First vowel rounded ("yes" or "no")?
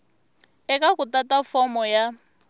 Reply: no